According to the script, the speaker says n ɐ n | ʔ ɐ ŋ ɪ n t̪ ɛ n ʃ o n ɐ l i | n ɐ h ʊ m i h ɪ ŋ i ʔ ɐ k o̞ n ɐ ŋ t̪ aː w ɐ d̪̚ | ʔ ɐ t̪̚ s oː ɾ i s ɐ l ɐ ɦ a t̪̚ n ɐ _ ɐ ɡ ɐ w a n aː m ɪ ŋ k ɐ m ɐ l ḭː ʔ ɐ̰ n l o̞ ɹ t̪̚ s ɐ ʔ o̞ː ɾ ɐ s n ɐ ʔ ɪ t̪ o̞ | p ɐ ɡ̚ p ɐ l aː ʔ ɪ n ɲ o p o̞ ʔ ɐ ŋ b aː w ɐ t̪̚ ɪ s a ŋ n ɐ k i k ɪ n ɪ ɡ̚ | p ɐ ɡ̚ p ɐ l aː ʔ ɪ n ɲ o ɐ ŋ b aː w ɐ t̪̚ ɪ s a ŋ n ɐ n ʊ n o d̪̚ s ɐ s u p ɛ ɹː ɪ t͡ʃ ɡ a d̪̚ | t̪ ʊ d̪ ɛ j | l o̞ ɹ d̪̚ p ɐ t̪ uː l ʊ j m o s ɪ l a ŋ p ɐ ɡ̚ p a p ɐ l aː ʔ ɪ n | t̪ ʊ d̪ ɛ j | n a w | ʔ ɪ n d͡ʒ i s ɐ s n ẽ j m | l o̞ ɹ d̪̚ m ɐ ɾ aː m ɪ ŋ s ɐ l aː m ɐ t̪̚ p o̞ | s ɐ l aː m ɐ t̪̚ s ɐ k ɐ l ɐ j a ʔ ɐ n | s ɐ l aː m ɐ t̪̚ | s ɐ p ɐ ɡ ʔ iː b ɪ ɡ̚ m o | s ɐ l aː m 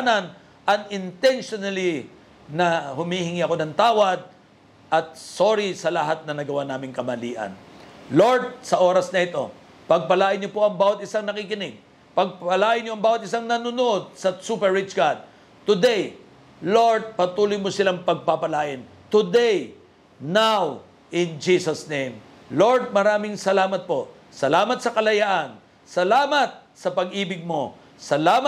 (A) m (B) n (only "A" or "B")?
B